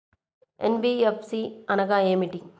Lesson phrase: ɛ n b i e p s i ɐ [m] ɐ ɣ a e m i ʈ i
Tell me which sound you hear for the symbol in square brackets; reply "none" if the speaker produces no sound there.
n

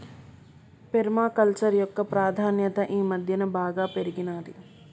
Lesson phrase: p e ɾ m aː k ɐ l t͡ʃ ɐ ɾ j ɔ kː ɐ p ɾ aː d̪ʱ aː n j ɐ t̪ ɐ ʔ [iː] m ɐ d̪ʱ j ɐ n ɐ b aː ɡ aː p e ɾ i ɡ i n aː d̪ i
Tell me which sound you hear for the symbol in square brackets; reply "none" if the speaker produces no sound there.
iː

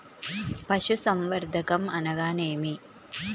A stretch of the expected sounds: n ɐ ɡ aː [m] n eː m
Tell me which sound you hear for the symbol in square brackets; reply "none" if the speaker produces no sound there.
none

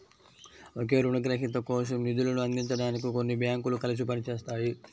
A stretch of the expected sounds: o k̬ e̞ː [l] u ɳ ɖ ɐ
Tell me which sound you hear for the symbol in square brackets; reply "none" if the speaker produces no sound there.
ɾ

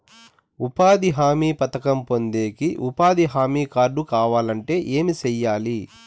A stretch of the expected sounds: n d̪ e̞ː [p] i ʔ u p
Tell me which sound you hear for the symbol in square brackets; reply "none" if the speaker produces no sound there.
k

